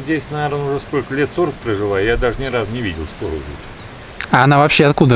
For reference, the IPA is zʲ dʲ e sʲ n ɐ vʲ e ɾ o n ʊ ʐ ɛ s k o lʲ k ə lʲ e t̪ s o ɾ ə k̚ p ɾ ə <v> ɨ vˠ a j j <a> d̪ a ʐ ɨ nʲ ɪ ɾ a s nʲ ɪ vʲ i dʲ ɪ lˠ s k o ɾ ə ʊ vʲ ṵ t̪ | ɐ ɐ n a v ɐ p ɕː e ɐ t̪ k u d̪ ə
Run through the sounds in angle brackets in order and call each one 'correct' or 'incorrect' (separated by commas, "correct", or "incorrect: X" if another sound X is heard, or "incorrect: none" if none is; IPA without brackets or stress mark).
incorrect: ʐ, correct